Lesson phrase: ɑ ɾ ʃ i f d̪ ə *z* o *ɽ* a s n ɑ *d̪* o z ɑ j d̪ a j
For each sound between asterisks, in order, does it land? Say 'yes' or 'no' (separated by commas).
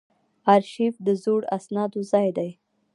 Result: yes, yes, yes